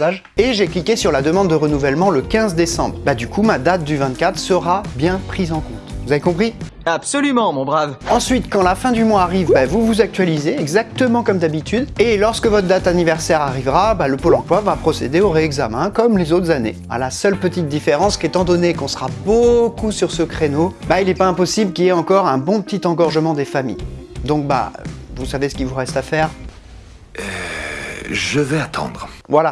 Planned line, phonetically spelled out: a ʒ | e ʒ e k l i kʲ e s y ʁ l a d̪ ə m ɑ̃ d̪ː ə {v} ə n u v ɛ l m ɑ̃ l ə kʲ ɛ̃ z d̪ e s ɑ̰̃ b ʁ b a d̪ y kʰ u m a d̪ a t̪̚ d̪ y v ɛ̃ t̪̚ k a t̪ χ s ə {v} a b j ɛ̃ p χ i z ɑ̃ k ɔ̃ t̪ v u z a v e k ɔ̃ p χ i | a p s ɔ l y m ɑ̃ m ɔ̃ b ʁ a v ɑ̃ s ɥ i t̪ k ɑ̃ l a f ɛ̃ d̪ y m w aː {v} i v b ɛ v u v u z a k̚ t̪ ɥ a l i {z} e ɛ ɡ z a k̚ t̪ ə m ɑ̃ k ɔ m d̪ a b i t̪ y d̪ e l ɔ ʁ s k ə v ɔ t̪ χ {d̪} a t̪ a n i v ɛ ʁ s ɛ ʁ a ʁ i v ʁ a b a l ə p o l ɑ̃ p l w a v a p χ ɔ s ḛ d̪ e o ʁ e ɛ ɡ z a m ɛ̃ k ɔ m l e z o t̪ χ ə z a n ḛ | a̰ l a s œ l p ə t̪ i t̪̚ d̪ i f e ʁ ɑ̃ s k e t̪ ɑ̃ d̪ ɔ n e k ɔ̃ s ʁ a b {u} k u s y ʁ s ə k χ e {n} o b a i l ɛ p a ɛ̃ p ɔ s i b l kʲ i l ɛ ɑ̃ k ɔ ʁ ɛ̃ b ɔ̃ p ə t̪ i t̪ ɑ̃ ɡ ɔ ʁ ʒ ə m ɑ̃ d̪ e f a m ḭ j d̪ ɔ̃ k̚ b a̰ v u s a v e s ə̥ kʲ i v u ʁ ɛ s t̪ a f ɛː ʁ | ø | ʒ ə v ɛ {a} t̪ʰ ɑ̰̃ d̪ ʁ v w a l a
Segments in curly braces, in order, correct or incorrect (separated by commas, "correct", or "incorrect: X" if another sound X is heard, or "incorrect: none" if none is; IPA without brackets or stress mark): incorrect: ʁ, incorrect: ʁ, incorrect: ʁ, correct, correct, incorrect: o, correct, correct